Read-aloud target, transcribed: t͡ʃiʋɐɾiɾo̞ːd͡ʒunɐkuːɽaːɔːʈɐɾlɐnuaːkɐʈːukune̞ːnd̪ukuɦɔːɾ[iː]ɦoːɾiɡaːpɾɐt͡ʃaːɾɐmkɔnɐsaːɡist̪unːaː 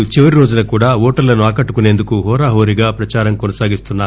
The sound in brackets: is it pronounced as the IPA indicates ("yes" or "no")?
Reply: no